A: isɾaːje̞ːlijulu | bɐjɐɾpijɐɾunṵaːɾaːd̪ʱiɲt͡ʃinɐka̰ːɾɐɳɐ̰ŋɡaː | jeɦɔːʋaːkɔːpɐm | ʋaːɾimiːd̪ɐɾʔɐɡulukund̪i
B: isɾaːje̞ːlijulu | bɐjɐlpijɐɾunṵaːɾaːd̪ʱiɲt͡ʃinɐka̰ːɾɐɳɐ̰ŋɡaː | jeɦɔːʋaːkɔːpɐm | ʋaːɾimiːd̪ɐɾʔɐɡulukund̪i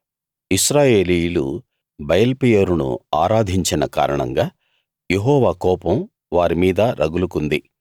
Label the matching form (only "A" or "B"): B